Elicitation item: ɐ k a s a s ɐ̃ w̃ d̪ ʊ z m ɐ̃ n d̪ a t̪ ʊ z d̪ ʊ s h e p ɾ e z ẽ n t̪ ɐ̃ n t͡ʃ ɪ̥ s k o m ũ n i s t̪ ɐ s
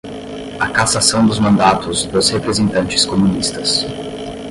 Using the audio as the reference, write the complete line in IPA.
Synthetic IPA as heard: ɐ k a s a s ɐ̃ w̃ d̪ ʊ z m ɐ̃ n d̪ a t̪ ʊ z d̪ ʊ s h e p ɾ e z ẽ n t̪ ɐ̃ n t͡ʃ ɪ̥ s k o m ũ n i s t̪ ɐ s